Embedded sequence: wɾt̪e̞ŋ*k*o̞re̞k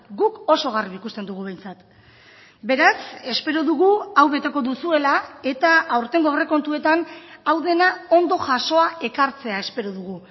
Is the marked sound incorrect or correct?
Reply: incorrect